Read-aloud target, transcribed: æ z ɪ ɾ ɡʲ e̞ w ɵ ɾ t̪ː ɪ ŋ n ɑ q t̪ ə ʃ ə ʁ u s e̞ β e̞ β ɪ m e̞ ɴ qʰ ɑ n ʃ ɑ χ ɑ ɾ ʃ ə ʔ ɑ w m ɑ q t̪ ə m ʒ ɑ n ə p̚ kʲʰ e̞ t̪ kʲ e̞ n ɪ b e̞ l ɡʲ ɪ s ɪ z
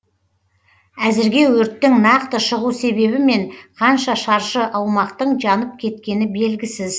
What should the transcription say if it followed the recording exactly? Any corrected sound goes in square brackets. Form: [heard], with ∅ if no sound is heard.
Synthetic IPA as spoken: æ z ɪ ɾ ɡʲ e̞ w ɵ ɾ t̪ː ɪ ŋ n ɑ q t̪ ə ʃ ə ʁ u s e̞ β e̞ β ɪ m e̞ ɴ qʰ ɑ n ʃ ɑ [ʃ] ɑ ɾ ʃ ə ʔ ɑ w m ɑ q t̪ ə [ɴ] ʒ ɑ n ə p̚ kʲʰ e̞ t̪ kʲ e̞ n ɪ b e̞ l ɡʲ ɪ s ɪ z